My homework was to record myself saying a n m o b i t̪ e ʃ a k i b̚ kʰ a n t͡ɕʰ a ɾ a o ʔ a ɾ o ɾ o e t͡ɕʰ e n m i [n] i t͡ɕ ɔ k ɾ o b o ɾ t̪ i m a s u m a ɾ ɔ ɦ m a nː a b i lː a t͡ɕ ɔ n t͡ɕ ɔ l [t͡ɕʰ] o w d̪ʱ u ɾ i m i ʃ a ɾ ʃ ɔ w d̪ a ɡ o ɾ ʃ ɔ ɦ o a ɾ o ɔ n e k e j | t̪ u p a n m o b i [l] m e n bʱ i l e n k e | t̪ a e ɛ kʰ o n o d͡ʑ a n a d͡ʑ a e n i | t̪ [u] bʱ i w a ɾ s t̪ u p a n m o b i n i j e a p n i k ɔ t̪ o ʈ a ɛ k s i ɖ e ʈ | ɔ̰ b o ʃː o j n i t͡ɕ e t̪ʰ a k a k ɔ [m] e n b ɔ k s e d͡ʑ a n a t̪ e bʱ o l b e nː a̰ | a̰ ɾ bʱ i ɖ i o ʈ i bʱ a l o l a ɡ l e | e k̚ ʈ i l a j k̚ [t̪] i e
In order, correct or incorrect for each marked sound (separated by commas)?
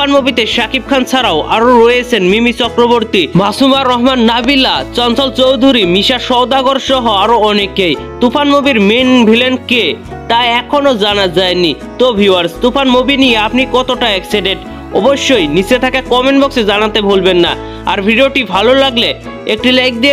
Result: incorrect, incorrect, incorrect, incorrect, correct, incorrect